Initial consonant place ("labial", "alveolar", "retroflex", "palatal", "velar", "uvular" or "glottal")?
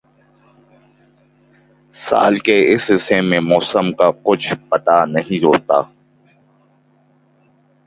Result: alveolar